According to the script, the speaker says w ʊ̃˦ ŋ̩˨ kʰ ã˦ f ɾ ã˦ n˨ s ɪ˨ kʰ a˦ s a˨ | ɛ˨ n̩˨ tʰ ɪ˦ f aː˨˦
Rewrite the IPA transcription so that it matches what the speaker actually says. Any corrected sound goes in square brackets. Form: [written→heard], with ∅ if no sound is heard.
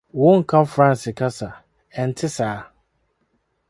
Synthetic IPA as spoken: w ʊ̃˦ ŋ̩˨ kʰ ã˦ f ɾ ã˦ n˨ s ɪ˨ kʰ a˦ s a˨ | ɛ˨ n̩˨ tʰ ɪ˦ [f→s] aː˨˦

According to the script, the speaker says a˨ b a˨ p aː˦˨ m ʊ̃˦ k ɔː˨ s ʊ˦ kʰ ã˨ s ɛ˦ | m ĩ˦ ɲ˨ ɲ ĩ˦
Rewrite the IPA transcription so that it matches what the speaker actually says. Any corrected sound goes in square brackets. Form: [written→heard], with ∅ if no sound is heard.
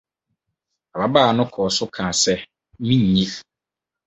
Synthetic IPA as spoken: a˨ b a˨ [p→b] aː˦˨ [m→n] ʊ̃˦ [k→kʰ] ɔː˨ s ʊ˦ kʰ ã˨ s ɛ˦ | m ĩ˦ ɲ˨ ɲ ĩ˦

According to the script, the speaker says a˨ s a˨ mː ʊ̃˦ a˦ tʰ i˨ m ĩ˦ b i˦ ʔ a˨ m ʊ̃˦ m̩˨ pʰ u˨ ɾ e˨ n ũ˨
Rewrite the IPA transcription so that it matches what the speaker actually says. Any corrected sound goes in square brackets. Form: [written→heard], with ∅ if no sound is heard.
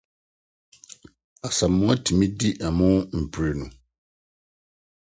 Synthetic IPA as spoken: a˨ s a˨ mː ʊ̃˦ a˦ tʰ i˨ m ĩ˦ [b→d] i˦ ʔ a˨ m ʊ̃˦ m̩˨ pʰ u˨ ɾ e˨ n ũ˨

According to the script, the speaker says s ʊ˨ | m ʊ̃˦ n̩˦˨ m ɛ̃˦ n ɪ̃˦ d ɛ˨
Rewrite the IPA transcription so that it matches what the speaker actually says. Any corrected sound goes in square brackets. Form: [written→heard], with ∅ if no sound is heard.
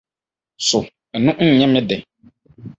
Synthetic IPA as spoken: s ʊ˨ | [m→n] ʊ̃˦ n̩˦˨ [m→ɲ] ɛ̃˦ [n→m] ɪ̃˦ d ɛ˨

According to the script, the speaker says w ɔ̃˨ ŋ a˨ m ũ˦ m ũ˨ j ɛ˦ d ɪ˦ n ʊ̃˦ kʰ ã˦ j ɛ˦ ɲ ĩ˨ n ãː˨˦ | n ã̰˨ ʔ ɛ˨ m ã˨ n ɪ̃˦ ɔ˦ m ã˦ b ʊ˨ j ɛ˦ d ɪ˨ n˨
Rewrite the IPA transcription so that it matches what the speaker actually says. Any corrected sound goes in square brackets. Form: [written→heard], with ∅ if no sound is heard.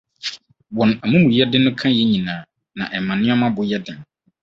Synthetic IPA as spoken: w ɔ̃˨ [ŋ→n] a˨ m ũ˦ m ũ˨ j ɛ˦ d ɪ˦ n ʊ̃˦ kʰ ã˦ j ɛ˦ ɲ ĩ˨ n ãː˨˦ | n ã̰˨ ʔ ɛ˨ m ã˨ n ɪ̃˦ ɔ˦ m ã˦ b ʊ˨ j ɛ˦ d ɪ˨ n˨

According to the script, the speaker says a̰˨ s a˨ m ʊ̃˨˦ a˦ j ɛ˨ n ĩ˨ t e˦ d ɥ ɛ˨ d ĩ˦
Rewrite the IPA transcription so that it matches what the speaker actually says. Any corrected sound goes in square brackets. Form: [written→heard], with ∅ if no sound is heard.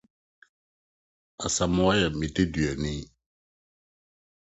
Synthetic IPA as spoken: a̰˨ s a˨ m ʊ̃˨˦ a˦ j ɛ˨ [n→m] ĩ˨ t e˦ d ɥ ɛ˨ [d→n] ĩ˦

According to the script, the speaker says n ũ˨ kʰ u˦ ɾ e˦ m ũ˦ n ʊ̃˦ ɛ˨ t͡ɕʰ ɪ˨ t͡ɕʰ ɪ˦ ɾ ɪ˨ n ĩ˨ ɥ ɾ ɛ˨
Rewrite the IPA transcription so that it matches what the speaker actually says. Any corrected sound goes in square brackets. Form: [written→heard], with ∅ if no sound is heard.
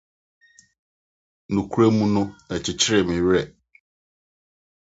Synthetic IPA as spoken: n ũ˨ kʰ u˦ ɾ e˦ m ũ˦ n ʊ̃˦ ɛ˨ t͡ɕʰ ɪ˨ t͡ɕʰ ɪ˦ ɾ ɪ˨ [n→m] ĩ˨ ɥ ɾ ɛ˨

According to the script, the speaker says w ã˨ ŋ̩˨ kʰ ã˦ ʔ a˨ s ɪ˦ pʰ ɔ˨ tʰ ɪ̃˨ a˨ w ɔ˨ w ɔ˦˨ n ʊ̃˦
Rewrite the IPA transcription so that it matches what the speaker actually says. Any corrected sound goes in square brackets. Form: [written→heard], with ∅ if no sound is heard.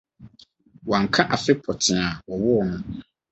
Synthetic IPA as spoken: w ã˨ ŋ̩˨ kʰ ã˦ ʔ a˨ [s→f] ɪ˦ pʰ ɔ˨ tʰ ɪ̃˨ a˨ w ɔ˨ w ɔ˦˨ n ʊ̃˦

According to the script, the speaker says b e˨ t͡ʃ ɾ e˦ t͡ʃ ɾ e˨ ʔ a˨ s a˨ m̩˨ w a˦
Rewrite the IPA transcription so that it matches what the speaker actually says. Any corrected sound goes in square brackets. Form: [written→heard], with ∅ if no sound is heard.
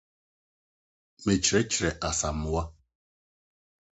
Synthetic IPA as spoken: [b→m] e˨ t͡ʃ ɾ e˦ t͡ʃ ɾ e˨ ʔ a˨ s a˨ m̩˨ w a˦

